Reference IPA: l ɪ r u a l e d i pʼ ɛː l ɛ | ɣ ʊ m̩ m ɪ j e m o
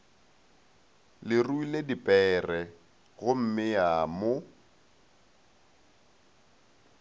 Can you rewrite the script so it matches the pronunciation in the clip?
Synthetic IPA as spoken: l ɪ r u i l e d i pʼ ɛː r ɛ | ɣ ʊ m̩ m ɪ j a m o